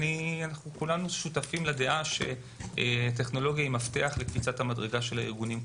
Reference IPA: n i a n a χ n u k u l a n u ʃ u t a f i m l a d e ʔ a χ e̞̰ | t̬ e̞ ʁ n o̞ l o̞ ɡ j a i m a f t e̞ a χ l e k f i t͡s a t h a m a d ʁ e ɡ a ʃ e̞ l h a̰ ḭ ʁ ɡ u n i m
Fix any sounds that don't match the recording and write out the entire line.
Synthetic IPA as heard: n i a n a χ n u k u l a n u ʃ u t a f i m l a d e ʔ a ʃ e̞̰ | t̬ e̞ χ n o̞ l o̞ ɡ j a i m a f t e̞ a χ l e k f i t͡s a t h a m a d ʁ e ɡ a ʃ e̞ l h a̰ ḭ ʁ ɡ u n i m